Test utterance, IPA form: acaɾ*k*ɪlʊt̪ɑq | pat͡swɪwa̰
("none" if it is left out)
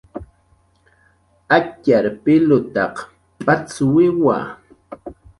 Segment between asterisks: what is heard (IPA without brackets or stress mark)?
p